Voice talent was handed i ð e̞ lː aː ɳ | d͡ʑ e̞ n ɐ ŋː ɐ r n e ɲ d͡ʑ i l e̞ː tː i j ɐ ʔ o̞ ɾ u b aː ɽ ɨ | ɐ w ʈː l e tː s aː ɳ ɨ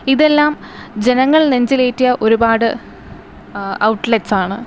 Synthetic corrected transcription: i ð e̞ lː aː m | d͡ʑ e̞ n ɐ ŋː ɐ ɭ n e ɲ d͡ʑ i l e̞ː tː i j ɐ ʔ o̞ ɾ u b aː ɽ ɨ | ɐ w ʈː l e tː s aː ɳ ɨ